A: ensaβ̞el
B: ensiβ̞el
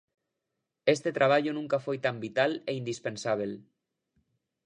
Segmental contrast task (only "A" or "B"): A